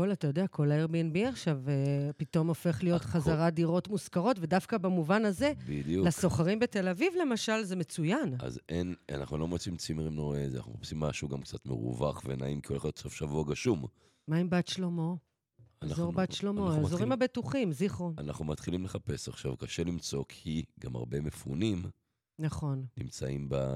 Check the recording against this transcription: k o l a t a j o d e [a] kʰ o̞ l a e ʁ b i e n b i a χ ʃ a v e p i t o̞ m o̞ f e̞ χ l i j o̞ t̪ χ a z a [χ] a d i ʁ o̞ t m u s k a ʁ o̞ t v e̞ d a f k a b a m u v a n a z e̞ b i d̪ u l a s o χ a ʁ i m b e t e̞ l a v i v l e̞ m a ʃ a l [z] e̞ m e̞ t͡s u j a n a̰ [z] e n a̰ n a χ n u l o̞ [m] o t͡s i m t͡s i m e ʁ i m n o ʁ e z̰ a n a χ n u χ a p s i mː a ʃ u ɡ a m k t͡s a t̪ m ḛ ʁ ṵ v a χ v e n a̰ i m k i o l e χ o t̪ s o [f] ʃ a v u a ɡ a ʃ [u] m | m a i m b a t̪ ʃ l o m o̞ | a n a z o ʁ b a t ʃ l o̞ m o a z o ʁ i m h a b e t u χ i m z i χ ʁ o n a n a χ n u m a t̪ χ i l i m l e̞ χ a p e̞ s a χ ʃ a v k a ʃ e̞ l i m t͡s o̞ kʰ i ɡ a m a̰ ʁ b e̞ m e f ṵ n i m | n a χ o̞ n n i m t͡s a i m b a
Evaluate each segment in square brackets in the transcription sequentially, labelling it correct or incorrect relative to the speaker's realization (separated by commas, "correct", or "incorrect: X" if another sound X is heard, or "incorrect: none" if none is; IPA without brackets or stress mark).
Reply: correct, incorrect: ʁ, correct, correct, correct, correct, correct